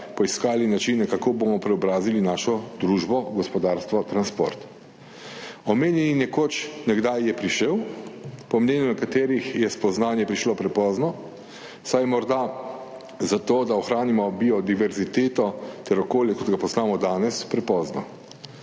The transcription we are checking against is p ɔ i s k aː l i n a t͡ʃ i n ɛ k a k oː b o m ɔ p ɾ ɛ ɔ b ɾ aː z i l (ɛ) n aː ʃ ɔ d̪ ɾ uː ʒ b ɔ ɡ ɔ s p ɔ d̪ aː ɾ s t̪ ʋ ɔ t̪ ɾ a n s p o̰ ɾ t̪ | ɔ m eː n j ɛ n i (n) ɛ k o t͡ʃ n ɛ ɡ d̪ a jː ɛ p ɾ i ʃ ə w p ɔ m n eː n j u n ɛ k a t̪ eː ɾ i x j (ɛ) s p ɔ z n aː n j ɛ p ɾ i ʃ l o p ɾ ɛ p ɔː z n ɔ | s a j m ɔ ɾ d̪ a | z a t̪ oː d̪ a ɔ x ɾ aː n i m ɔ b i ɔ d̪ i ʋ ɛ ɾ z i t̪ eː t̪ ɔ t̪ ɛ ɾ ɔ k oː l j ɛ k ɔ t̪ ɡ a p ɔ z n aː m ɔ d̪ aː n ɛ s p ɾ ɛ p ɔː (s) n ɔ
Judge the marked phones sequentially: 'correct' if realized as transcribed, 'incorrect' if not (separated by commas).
incorrect, correct, correct, incorrect